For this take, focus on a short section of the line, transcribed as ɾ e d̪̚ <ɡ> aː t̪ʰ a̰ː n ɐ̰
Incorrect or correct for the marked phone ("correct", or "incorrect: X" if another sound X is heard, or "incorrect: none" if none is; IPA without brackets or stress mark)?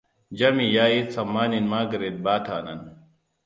incorrect: b